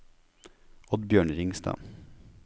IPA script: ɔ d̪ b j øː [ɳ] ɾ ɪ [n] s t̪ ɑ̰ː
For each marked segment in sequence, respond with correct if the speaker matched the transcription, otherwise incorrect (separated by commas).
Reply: correct, incorrect